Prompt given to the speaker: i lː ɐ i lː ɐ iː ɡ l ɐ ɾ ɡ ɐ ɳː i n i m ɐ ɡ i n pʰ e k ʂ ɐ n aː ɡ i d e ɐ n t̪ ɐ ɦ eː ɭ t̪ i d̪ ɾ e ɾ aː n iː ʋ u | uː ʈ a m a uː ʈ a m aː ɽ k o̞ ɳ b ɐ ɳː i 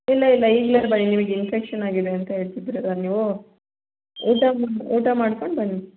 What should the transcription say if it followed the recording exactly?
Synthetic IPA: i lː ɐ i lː ɐ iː ɡ l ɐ ɾ b ɐ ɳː i n i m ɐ ɡ i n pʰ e k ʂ ɐ n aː ɡ i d e ɐ n t̪ ɐ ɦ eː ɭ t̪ i d̪ ɾ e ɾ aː n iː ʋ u | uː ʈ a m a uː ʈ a m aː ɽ k o̞ ɳ b ɐ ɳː i

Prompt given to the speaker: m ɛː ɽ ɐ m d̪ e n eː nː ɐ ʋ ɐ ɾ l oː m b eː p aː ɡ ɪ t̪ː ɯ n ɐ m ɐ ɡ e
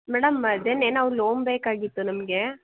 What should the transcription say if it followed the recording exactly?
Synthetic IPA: m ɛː ɽ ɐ m d̪ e n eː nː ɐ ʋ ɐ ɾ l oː m b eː k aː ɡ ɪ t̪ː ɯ n ɐ m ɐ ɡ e

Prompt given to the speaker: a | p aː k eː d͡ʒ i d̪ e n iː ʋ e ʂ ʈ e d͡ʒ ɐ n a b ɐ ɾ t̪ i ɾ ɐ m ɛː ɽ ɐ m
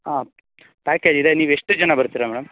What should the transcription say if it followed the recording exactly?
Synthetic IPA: a | p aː k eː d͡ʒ i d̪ e n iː ʋ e ʂ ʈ e d͡ʒ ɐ n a b ɐ ɾ t̪ i ɾ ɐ m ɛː ɽ ɐ m

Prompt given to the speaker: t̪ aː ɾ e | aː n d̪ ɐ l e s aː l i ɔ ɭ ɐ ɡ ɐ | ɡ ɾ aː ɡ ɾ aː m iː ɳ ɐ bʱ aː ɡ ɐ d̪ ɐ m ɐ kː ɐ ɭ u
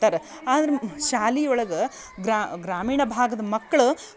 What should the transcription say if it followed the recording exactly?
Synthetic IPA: t̪ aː ɾ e | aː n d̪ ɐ ɾ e ʃ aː l i ɔ ɭ ɐ ɡ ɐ | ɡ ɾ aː ɡ ɾ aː m iː ɳ ɐ bʱ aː ɡ ɐ d̪ ɐ m ɐ kː ɐ ɭ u

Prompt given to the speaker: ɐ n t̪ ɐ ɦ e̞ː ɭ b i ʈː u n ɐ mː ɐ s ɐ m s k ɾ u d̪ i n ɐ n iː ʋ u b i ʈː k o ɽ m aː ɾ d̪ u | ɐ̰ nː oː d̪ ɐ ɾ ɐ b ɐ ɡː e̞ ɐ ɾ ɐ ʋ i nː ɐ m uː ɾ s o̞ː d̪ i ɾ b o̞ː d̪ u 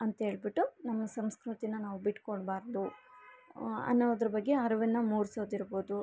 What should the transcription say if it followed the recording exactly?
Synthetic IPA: ɐ n t̪ ɐ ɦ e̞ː ɭ b i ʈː u n ɐ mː ɐ s ɐ m s k ɾ u t̪ i n ɐ n aː ʋ u b i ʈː k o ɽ b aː ɾ d̪ u | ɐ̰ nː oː d̪ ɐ ɾ ɐ b ɐ ɡː e̞ ɐ ɾ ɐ ʋ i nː ɐ m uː ɾ s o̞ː d̪ i ɾ b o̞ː d̪ u

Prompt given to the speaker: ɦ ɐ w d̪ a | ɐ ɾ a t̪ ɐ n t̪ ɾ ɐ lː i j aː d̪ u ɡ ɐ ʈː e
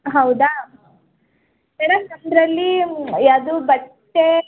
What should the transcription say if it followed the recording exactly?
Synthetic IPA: ɦ ɐ w d̪ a | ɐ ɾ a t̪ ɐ n d̪ ɾ ɐ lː i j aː d̪ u b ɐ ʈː e

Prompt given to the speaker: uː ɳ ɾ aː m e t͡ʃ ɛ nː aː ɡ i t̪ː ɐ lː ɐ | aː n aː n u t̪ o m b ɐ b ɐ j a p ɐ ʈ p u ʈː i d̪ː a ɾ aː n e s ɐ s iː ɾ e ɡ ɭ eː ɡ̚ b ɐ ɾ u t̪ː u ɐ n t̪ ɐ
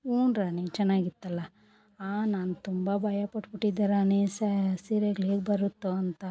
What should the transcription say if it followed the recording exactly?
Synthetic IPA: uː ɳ ɾ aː n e t͡ʃ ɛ nː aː ɡ i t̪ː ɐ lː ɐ | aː n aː n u t̪ u m b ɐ b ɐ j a p ɐ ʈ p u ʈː i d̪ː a ɾ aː n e s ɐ s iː ɾ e ɡ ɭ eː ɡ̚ b ɐ ɾ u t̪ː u ɐ n t̪ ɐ

